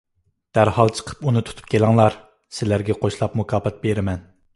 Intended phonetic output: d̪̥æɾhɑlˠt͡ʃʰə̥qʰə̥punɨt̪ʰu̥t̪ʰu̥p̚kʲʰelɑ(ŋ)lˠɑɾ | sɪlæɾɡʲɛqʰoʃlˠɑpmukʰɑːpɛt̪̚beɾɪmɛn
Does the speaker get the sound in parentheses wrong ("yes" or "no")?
no